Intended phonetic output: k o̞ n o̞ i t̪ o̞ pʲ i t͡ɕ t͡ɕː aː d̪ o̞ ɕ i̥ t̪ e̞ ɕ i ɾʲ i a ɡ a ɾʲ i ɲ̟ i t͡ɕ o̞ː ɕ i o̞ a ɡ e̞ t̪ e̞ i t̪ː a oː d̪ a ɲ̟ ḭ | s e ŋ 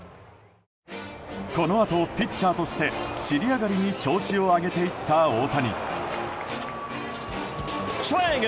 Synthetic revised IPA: k o̞ n o̞ a t̪ o̞ pʲ i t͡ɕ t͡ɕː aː t̪ o̞ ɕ i̥ t̪ e̞ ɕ i ɾʲ i a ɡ a ɾʲ i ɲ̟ i t͡ɕ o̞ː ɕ i o̞ a ɡ e̞ t̪ e̞ i t̪ː a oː t̪ a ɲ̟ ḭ | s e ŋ